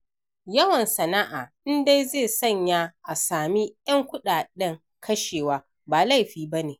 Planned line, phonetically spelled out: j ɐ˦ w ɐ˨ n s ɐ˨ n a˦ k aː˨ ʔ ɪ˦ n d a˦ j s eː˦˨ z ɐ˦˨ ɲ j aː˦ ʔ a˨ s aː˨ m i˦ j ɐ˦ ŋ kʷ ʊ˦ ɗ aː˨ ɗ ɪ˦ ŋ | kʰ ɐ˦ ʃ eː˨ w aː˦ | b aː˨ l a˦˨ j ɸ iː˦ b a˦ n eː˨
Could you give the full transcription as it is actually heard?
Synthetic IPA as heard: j ɐ˦ w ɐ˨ n s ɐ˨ n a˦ ʔ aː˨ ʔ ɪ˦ n d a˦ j z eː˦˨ s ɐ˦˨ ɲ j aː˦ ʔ a˨ s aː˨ m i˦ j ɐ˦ ŋ kʷ ʊ˦ ɗ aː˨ ɗ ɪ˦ ŋ | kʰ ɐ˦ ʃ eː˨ w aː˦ | b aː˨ l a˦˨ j ɸ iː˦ b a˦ n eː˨